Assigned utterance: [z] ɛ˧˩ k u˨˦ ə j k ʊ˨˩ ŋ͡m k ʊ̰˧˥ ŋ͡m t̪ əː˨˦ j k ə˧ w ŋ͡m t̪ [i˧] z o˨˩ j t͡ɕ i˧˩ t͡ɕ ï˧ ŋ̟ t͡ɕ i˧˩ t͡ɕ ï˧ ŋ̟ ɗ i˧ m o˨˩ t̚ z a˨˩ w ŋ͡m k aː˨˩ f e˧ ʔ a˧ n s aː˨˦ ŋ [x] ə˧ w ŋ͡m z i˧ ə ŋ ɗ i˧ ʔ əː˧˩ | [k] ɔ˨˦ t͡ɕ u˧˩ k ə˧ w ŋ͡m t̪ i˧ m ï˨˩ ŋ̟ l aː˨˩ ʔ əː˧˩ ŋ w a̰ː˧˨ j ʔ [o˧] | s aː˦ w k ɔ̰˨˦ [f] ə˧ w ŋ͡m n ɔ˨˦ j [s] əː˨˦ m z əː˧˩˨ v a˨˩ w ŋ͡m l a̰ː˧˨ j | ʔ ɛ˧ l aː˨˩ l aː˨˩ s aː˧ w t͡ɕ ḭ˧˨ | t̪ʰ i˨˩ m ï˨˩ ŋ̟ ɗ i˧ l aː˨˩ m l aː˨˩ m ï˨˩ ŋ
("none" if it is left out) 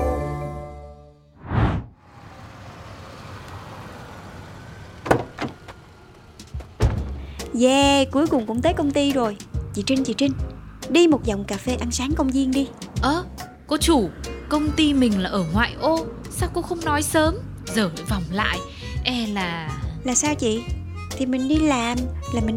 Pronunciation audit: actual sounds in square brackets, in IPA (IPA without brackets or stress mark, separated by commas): z, i˧, k, k, o˧, x, s